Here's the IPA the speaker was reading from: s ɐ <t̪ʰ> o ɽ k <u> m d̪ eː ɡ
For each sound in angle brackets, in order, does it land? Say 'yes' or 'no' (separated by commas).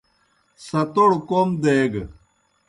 no, no